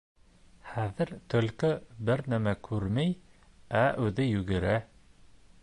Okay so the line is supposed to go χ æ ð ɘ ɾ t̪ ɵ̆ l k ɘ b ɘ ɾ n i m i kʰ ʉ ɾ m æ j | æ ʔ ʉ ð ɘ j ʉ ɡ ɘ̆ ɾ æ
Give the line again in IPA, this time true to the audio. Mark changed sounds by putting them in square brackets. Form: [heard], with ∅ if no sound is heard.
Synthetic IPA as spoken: χ æ ð ɘ ɾ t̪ ɵ̆ l k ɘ b ɘ ɾ n [æ] m [æ] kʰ ʉ ɾ m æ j | æ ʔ ʉ ð ɘ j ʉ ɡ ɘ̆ ɾ æ